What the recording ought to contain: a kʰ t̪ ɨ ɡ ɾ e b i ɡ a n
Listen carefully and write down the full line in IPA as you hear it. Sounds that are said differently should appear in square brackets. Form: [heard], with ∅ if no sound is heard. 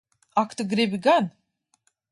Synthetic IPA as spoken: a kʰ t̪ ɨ ɡ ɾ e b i ɡ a n